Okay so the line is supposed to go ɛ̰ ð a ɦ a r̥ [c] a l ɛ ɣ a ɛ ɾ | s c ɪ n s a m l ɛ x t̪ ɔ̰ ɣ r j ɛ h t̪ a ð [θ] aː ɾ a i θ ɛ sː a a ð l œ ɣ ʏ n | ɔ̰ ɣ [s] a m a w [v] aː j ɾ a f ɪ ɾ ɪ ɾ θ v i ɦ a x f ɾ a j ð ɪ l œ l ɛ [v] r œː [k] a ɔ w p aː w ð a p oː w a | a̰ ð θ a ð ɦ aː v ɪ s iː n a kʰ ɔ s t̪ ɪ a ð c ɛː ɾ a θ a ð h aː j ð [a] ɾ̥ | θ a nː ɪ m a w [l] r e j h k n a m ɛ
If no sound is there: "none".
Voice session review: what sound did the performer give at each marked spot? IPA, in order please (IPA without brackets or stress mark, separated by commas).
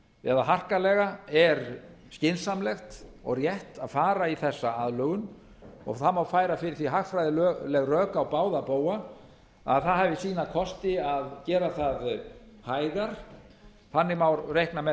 k, f, θ, f, ɣ, k, a, ɾ